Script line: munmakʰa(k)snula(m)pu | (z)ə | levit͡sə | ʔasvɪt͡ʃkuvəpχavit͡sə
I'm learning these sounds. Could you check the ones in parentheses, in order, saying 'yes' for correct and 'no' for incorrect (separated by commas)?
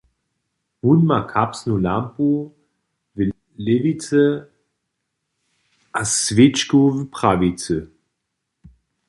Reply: no, yes, no